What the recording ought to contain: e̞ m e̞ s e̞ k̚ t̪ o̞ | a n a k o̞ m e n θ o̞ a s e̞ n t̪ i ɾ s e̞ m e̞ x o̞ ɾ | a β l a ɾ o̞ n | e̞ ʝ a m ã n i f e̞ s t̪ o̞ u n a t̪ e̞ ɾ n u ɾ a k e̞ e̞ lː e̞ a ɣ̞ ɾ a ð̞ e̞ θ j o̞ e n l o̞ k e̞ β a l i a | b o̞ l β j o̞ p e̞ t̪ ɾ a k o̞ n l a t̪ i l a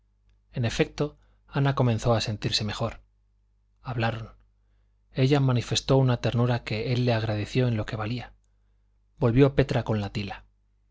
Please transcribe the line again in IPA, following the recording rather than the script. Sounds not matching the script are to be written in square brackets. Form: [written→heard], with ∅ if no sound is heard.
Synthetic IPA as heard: e̞ [m→n] e̞ [s→f] e̞ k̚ t̪ o̞ | a n a k o̞ m e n θ o̞ a s e̞ n t̪ i ɾ s e̞ m e̞ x o̞ ɾ | a β l a ɾ o̞ n | e̞ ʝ a m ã n i f e̞ s t̪ o̞ u n a t̪ e̞ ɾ n u ɾ a k e̞ e̞ lː e̞ a ɣ̞ ɾ a ð̞ e̞ θ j o̞ e n l o̞ k e̞ β a l i a | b o̞ l β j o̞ p e̞ t̪ ɾ a k o̞ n l a t̪ i l a

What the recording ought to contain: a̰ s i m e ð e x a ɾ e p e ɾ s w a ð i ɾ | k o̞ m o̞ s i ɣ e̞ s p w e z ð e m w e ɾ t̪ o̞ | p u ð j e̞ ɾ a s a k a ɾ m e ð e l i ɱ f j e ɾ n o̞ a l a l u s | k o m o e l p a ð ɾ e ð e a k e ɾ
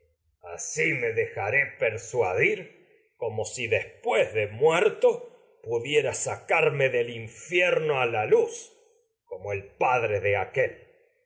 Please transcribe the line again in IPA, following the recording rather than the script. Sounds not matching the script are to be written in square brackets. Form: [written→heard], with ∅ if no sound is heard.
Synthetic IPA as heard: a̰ s i m e ð e x a ɾ e p e ɾ s w a ð i ɾ | k o̞ m o̞ s i [ɣ→ð] e̞ s p w e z ð e m w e ɾ t̪ o̞ | p u ð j e̞ ɾ a s a k a ɾ m e ð e l i ɱ f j e ɾ n o̞ a l a l u s | k o m o e l p a ð ɾ e ð e a k e [ɾ→l]

